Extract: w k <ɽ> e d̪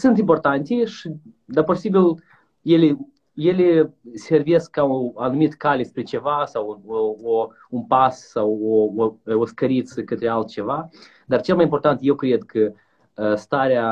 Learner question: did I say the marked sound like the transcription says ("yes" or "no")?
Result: no